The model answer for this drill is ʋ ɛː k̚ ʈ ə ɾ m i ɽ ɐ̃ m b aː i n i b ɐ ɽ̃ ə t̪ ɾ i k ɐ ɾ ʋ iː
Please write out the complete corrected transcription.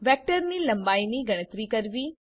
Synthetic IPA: ʋ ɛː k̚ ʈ ə ɾ n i l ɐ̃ m b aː i n i ɡ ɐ ɽ̃ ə t̪ ɾ i k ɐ ɾ ʋ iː